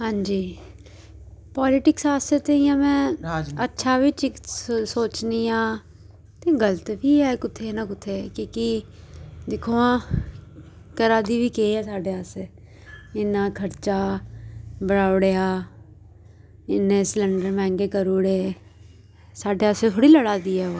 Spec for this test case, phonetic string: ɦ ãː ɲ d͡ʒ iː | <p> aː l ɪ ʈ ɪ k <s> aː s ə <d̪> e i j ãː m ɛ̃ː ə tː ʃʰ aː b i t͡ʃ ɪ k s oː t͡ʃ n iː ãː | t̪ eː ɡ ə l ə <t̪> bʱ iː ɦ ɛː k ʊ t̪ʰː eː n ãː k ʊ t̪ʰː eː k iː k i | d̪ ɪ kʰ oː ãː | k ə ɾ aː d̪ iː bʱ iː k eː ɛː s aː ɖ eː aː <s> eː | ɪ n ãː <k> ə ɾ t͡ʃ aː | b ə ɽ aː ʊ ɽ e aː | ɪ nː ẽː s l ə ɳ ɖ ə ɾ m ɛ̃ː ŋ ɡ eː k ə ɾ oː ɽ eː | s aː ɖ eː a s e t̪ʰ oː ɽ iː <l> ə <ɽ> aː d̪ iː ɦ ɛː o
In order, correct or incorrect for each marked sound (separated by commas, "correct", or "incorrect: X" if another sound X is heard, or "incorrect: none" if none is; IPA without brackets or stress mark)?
correct, correct, incorrect: t̪, correct, correct, incorrect: kʰ, correct, correct